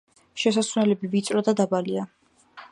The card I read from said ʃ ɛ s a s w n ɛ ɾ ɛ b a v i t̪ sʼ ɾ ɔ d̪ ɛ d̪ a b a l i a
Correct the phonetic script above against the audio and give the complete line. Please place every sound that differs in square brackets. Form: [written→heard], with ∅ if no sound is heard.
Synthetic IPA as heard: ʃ ɛ s a s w n ɛ [ɾ→l] ɛ b [a→i] v i t̪ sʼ ɾ ɔ d̪ [ɛ→a] d̪ a b a l i a